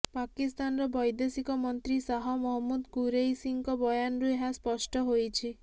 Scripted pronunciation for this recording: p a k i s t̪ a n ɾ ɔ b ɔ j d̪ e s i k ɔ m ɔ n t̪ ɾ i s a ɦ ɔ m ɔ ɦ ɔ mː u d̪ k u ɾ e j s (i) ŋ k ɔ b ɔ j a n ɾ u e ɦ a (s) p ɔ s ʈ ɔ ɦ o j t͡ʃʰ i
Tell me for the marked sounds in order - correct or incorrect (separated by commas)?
correct, correct